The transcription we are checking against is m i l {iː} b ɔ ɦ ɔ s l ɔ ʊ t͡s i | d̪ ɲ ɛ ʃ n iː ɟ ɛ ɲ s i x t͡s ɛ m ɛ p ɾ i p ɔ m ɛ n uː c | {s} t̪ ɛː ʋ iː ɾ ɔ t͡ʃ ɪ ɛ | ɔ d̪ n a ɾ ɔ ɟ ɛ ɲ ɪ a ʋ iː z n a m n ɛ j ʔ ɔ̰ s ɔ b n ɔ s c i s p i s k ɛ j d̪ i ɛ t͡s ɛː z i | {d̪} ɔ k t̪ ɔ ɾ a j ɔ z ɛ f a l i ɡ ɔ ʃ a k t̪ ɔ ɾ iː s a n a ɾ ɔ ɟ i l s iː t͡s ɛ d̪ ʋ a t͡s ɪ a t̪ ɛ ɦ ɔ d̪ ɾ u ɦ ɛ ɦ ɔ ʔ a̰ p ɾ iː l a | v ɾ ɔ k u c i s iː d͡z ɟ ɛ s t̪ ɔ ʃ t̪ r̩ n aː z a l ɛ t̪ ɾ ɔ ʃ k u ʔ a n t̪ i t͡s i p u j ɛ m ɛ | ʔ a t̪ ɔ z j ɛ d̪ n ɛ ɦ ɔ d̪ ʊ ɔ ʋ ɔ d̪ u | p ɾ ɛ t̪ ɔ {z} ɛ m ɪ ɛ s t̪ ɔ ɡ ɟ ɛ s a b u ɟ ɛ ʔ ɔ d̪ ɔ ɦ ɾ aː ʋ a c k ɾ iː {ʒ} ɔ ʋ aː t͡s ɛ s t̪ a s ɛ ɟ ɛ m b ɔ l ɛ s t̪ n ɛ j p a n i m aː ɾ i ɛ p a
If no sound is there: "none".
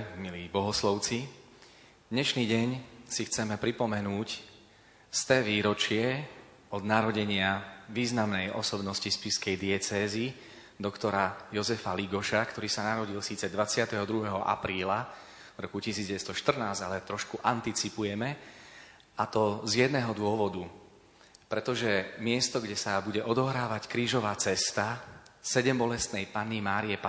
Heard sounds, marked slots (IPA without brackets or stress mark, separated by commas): iː, s, d̪, ʒ, ʒ